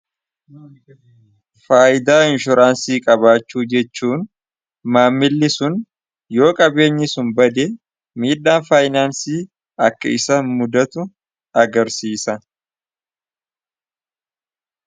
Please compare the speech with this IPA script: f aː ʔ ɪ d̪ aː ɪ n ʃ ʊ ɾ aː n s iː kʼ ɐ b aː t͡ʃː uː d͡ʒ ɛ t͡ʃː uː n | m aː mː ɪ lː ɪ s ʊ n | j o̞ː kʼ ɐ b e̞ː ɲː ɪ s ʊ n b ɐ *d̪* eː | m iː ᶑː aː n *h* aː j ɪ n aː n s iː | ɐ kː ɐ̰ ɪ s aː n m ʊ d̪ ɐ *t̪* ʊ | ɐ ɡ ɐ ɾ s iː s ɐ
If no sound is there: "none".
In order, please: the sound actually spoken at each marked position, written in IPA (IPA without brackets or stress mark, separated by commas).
d̪, f, t̪